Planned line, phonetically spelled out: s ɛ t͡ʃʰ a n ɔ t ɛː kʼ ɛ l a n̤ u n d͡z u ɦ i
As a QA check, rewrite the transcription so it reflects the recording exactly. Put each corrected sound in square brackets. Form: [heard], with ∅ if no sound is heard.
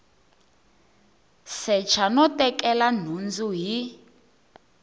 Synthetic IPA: s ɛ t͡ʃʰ a n ɔ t [ɛ] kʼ ɛ l a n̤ u n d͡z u ɦ i